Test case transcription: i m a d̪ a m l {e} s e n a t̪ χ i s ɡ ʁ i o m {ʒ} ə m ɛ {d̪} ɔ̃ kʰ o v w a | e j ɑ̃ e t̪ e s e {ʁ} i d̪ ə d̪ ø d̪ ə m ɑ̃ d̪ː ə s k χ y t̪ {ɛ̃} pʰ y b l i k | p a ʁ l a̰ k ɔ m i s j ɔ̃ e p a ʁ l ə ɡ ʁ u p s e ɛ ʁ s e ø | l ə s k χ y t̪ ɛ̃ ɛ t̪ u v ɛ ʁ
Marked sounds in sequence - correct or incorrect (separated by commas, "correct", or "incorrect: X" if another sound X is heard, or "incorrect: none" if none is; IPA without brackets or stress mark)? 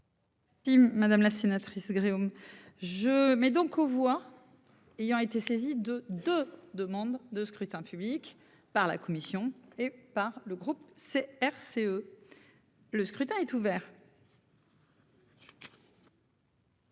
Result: incorrect: a, correct, correct, incorrect: z, correct